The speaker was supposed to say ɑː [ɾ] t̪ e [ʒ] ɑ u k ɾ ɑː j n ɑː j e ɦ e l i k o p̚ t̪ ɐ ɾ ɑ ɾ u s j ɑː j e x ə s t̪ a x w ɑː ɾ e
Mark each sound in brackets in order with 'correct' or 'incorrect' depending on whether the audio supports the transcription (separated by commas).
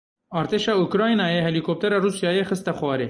correct, incorrect